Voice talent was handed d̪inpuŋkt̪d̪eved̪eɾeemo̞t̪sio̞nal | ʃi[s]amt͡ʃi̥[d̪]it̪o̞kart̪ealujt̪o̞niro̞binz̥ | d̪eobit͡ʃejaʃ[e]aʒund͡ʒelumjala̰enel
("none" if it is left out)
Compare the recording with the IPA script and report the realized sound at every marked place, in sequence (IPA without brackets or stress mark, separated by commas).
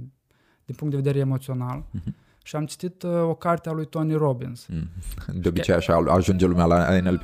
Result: none, t̪, a